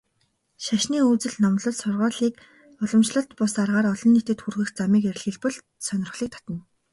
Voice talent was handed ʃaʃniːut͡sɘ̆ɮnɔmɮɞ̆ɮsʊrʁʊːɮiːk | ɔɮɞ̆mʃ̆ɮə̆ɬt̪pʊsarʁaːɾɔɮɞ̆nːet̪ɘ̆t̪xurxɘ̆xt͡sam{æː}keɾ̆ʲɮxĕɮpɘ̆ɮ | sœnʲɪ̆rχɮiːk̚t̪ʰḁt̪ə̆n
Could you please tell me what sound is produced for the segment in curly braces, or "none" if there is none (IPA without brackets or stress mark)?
iː